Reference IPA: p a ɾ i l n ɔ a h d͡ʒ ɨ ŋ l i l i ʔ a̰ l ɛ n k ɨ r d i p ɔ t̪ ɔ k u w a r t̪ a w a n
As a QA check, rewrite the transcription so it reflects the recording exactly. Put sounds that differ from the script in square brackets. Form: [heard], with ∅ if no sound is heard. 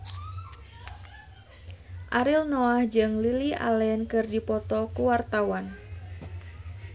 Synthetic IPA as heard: [ʔ] a ɾ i l n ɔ a h d͡ʒ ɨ ŋ l i l i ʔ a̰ l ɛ n k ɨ r d i p ɔ t̪ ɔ k u w a r t̪ a w a n